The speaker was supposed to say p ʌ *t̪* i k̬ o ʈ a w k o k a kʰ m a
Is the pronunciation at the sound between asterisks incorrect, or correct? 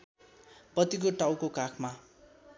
correct